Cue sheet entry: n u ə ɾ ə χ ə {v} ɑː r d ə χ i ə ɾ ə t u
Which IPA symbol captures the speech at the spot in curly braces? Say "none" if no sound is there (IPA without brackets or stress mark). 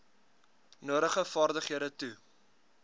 f